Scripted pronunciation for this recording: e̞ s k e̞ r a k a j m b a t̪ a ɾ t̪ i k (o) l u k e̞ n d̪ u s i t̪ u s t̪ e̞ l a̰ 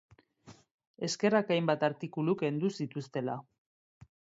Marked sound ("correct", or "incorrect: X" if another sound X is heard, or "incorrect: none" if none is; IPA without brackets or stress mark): incorrect: u